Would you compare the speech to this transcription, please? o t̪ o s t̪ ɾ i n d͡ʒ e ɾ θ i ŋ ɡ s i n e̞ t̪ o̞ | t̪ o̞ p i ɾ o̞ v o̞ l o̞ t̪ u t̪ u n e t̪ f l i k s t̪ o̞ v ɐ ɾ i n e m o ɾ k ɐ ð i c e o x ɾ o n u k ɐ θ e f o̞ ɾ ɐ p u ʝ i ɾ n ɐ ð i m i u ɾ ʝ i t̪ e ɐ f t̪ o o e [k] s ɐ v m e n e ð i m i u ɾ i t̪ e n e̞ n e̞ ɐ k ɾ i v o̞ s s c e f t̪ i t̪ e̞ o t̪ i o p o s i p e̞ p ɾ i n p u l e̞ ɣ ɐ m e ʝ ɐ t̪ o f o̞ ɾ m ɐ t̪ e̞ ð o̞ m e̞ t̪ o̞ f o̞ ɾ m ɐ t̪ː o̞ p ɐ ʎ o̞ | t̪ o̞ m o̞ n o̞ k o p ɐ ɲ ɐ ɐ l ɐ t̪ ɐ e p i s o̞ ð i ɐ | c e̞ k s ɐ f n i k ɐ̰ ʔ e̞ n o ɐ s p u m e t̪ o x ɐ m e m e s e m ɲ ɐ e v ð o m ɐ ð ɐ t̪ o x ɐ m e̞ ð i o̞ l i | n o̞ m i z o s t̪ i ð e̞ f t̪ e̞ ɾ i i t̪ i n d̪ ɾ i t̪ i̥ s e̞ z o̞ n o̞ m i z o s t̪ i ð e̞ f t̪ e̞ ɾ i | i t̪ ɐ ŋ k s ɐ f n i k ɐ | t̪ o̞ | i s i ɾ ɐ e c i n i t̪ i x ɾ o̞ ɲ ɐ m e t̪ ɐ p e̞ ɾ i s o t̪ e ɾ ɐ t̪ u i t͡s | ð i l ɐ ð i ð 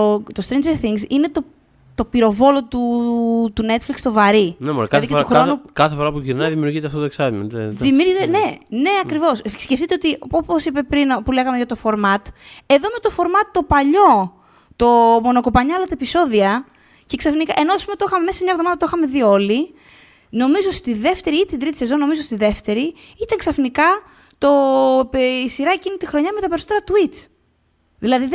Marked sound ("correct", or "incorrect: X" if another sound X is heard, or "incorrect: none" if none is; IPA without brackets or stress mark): correct